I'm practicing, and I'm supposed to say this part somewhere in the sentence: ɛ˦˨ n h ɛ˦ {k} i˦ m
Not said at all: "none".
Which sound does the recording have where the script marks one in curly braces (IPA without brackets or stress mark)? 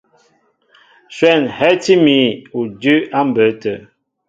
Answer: t